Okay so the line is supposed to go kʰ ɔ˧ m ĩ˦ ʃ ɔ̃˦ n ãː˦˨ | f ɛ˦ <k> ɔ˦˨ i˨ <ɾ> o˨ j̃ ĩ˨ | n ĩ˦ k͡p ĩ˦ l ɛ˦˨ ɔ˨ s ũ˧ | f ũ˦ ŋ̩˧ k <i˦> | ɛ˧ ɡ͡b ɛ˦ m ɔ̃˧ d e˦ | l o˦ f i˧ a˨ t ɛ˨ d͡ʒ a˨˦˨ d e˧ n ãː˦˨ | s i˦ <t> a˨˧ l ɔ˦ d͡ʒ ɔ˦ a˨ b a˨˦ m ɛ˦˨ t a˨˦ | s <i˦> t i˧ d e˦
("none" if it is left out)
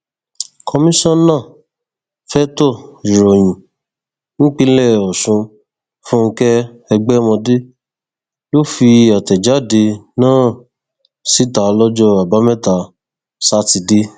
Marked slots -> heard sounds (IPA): t, ɾ, ɛ˦, t, a˦

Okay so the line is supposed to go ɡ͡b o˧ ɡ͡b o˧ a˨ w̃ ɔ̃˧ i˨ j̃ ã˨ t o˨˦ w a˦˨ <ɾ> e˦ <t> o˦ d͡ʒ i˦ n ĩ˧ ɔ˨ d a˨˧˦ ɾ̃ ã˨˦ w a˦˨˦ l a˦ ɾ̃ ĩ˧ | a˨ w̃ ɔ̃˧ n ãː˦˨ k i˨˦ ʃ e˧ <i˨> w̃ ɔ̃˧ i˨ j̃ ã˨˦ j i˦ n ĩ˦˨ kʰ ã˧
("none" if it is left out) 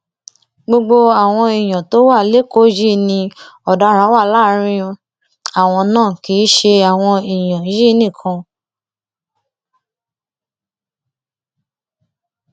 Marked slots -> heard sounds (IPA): l, k, a˨

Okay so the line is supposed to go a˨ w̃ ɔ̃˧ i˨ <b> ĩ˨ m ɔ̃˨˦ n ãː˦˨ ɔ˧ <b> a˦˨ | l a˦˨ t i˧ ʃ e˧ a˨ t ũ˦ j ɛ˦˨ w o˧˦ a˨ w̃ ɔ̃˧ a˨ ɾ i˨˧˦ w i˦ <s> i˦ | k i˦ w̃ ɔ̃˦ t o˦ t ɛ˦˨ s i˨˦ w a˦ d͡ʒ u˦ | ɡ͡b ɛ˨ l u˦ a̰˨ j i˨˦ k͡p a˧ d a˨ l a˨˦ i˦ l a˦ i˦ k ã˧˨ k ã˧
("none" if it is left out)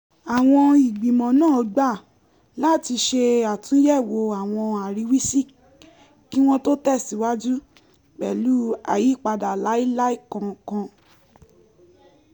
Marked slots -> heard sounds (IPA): ɡ͡b, ɡ͡b, s

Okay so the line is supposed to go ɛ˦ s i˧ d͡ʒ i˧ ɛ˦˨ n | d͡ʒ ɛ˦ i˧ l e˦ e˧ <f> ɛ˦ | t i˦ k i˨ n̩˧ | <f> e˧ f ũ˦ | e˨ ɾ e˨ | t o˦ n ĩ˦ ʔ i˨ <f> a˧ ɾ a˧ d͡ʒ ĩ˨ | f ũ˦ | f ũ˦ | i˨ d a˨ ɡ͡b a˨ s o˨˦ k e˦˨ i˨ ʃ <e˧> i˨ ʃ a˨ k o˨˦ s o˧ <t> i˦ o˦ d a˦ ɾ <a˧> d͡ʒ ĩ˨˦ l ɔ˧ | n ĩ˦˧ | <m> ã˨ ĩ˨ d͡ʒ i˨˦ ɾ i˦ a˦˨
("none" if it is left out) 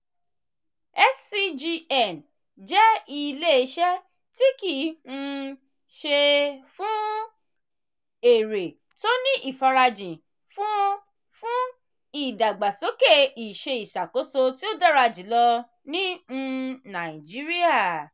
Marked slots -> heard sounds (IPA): ʃ, ʃ, f, e˧, t, a˧, n

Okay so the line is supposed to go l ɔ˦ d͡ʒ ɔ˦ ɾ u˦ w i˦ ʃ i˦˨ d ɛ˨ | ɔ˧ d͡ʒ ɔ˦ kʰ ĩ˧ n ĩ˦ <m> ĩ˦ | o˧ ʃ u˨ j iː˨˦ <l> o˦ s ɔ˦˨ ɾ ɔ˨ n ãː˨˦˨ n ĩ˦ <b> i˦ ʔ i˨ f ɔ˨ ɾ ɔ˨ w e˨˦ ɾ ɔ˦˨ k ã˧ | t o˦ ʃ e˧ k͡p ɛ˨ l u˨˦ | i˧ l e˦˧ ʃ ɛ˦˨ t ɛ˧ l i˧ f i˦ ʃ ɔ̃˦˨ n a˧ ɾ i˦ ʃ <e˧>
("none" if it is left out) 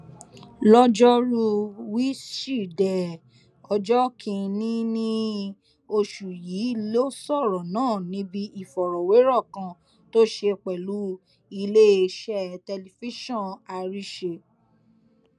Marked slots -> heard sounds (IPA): n, l, b, e˧

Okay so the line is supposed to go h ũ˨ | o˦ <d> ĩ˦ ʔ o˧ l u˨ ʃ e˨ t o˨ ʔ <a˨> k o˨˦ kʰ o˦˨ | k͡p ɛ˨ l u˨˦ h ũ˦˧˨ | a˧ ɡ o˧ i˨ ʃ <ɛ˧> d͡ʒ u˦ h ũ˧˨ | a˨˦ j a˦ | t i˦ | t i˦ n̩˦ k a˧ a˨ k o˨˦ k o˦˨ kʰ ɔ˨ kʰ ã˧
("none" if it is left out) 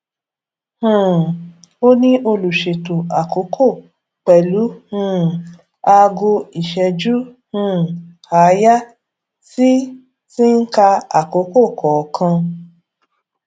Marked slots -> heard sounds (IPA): n, a˨, ɛ˧

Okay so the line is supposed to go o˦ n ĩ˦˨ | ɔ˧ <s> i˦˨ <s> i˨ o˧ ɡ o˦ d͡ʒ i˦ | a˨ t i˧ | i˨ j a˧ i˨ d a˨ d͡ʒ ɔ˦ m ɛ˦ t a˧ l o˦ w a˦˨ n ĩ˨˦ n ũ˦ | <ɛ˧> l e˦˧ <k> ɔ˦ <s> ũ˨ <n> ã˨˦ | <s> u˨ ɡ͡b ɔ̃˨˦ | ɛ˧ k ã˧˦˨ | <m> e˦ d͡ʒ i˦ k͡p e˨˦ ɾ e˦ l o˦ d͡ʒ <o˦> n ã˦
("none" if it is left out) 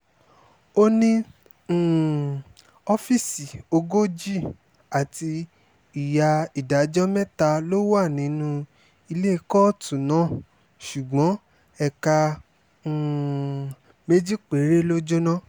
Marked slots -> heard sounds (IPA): f, s, i˧, k, t, n, ʃ, m, o˦

